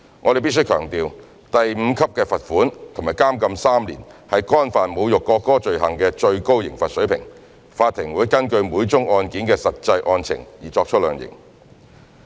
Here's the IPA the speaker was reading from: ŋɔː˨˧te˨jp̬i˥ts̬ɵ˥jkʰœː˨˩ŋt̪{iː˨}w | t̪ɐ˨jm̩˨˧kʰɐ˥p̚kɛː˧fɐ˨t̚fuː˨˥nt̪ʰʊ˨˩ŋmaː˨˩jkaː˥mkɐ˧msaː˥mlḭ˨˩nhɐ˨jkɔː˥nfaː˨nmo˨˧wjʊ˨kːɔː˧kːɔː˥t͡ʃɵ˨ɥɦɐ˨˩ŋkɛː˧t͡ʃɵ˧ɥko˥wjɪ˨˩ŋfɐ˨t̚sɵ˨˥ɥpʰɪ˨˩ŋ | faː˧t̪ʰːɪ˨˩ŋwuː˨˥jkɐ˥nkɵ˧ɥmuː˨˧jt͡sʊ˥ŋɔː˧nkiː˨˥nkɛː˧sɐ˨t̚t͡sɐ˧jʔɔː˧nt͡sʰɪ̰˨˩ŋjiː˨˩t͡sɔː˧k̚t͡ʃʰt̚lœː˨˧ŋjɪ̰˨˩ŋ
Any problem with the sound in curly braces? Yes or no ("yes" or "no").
no